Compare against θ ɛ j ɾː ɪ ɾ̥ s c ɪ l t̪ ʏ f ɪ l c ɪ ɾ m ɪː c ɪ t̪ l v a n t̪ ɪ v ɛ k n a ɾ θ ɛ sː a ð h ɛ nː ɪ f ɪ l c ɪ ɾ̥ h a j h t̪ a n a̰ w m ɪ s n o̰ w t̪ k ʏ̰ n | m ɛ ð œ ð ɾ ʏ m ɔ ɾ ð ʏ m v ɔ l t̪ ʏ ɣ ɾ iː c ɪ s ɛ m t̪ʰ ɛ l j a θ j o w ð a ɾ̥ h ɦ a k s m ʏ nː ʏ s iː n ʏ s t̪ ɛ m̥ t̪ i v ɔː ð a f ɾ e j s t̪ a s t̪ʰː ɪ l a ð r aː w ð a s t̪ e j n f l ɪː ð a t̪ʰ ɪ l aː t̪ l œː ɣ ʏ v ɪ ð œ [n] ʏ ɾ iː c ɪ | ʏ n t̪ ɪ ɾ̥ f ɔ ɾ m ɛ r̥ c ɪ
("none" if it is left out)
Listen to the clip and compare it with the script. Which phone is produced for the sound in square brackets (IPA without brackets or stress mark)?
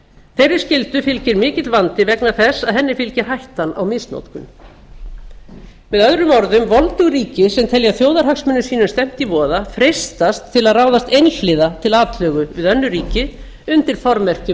nː